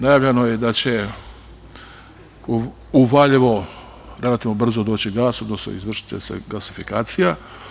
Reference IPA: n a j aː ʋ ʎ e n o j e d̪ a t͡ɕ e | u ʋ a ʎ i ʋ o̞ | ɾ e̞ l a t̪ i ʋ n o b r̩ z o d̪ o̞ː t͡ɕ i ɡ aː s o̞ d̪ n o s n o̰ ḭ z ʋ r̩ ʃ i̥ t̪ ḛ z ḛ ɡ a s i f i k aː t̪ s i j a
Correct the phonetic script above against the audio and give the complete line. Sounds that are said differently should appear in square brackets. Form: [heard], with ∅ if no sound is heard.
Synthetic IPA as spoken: n a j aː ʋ ʎ e n o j e d̪ a t͡ɕ e | u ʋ a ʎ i ʋ o̞ | ɾ e̞ l a t̪ i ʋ n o b r̩ z o d̪ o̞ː t͡ɕ i ɡ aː s o̞ d̪ n o s n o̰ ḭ z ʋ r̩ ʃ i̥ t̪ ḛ [s] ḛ ɡ a s i f i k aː t̪ s i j a